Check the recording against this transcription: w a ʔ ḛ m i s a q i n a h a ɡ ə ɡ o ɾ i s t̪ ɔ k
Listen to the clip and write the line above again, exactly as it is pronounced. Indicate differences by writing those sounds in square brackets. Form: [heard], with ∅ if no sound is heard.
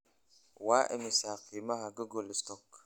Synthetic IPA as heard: w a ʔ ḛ m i s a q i [m] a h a ɡ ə ɡ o [l] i s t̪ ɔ k